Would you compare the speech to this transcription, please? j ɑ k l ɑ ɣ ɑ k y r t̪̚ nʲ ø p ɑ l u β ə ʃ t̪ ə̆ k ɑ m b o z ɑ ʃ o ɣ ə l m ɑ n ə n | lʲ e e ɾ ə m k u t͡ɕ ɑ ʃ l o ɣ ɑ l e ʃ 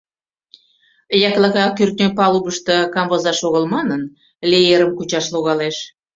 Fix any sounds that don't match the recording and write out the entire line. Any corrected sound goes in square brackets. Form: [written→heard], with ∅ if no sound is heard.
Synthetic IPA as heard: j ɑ k l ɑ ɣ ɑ k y r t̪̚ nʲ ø p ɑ l u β ə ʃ t̪ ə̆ k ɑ m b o z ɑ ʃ o ɣ ə l m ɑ n ə n | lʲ e e ɾ ə m k u t͡ɕ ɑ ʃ l o ɣ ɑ l e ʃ